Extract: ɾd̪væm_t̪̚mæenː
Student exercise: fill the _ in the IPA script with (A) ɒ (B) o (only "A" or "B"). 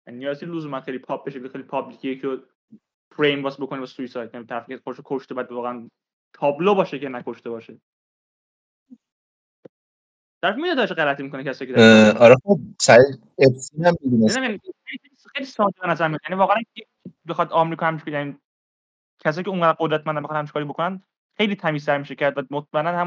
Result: B